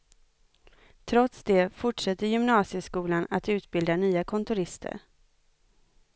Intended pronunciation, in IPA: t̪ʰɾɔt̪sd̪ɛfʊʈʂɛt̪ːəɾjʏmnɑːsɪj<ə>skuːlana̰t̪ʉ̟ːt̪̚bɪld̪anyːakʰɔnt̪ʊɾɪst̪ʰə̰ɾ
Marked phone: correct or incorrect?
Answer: correct